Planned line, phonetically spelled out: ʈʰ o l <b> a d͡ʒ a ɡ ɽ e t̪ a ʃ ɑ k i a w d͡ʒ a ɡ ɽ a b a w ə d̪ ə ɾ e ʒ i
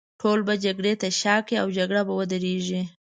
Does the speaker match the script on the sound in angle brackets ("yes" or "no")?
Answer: yes